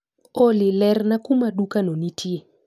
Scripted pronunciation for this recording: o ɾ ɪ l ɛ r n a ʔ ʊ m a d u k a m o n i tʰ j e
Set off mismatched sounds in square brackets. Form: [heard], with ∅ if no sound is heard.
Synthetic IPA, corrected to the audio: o [l] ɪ l ɛ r n a [k] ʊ m a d u k a [n] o n i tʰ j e